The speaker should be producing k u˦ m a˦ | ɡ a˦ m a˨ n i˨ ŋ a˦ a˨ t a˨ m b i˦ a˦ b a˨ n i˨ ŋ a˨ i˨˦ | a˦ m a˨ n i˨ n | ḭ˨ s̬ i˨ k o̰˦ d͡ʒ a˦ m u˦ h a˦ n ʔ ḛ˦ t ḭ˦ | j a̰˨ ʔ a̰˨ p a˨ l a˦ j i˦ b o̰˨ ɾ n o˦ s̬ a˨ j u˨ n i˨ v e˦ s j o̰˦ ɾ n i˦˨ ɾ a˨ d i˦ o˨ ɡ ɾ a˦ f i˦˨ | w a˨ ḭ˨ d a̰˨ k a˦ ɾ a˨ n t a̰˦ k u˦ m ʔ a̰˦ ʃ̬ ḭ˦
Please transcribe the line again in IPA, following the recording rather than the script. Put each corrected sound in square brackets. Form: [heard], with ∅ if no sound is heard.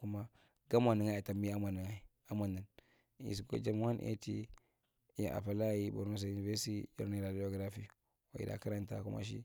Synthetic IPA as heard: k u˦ m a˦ | ɡ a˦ m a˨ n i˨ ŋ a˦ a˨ t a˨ m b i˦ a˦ [m] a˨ n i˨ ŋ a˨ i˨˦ | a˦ m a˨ n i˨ n | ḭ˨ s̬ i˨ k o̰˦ d͡ʒ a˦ m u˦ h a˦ n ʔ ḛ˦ t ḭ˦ | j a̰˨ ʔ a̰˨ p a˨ l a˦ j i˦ b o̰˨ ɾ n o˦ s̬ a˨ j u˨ n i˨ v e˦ s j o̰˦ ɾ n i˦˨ ɾ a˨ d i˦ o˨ ɡ ɾ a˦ f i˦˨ | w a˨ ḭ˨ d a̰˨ k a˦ ɾ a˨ n t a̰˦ k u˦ m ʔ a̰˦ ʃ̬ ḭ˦